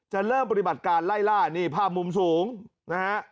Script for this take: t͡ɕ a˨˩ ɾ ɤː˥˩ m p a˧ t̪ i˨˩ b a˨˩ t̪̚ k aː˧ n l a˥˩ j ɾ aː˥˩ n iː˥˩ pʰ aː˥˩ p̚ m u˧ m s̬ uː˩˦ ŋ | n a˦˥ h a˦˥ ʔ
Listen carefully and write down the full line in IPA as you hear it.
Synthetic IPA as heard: t͡ɕ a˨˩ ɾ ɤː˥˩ m p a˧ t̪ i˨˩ b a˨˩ t̪̚ k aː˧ n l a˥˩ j l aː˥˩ n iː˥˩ pʰ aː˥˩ p̚ m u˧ m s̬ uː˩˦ ŋ | n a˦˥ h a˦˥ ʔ